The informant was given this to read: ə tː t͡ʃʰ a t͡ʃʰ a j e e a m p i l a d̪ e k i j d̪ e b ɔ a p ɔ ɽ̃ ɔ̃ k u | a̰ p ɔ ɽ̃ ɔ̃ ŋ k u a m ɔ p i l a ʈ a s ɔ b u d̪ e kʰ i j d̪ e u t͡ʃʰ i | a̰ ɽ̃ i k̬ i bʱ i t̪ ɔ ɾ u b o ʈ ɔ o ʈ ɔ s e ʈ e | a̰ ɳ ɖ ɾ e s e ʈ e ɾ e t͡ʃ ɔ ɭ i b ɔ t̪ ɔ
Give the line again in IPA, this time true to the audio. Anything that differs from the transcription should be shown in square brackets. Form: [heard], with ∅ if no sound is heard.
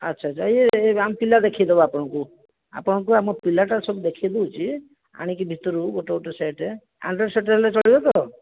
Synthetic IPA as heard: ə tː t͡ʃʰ a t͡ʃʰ a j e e a m p i l a d̪ e [kʰ] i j d̪ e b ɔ a p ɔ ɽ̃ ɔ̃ k u | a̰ p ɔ ɽ̃ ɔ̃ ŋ k u a m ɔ p i l a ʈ a s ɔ b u d̪ e kʰ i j d̪ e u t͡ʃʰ i | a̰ ɽ̃ i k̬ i bʱ i t̪ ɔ ɾ u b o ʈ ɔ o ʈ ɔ s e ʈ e | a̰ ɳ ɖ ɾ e s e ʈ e [l] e t͡ʃ ɔ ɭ i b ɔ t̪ ɔ